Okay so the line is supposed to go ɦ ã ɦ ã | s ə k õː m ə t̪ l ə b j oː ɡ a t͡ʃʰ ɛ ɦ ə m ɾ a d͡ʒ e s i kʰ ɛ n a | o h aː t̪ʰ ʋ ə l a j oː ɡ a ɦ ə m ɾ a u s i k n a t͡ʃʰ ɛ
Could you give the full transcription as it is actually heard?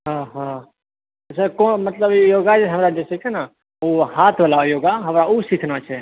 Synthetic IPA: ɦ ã ɦ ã | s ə k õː m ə t̪ l ə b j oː ɡ a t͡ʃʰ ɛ ɦ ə m ɾ a d͡ʒ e s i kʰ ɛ n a | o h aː t̪ʰ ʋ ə l a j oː ɡ a ɦ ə m ɾ a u s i kʰ n a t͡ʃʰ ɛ